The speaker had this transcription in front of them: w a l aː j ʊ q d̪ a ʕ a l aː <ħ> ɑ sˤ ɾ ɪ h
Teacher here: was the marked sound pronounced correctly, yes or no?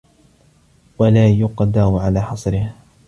yes